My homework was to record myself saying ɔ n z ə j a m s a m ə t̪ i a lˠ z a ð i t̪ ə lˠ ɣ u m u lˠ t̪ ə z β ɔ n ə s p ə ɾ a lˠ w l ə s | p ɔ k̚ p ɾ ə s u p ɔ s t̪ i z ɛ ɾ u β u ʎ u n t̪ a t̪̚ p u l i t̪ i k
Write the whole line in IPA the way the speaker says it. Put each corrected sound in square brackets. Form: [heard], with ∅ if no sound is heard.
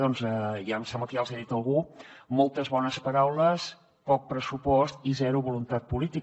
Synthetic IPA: ɔ n z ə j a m s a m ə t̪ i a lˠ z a ð i t̪ ə lˠ ɣ u m [ɔ] lˠ t̪ ə z β ɔ n ə s p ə ɾ a [∅] w l ə s | p ɔ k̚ p ɾ ə s u p ɔ s t̪ i z ɛ ɾ u β u [l] u n t̪ a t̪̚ p u l i t̪ i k